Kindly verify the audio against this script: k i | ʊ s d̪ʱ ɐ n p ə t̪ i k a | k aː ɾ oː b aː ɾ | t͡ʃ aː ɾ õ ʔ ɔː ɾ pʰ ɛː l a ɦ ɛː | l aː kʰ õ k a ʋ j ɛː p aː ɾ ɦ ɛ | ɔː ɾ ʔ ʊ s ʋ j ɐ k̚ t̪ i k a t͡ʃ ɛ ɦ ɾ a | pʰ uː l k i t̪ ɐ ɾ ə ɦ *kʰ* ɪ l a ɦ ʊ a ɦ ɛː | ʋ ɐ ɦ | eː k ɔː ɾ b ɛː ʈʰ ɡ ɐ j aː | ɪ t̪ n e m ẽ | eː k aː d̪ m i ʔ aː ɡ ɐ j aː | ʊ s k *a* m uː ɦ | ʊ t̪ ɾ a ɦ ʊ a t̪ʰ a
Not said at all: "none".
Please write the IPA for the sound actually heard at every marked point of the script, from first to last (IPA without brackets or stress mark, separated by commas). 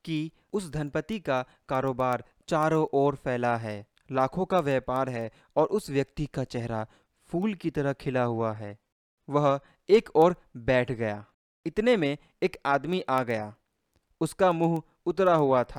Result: kʰ, a